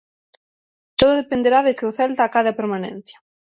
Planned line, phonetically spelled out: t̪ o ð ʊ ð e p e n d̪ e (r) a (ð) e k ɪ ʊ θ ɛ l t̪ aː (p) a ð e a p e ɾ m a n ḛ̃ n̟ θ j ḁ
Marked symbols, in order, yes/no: no, yes, no

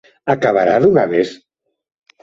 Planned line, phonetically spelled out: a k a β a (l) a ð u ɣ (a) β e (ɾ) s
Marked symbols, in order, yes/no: no, yes, no

